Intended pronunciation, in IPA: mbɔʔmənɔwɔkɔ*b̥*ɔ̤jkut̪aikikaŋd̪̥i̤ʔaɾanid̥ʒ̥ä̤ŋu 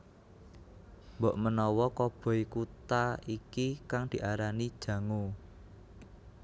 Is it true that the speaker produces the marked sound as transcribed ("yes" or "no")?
yes